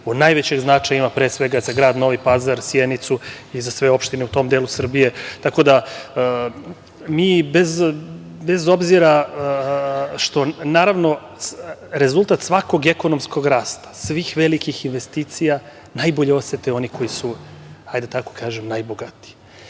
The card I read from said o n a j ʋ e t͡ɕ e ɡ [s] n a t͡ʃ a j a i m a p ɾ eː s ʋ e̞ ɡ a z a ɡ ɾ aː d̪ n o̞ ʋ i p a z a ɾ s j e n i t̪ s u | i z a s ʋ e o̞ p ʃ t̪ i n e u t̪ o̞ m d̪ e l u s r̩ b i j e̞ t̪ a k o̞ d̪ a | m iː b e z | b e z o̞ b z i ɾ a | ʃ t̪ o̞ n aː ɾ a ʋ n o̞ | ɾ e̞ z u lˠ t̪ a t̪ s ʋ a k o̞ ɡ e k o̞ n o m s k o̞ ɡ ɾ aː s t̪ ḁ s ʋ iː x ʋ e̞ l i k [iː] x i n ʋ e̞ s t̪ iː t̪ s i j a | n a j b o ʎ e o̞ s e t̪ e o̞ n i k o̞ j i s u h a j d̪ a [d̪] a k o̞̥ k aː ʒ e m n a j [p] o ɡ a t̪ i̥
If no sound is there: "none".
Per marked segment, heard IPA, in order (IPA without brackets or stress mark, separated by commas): z, i, t̪, b